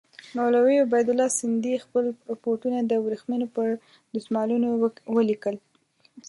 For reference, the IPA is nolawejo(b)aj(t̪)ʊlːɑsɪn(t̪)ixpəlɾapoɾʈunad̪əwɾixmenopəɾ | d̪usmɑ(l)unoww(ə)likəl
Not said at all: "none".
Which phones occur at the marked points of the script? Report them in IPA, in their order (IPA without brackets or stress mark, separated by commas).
b, d̪, d̪, l, ə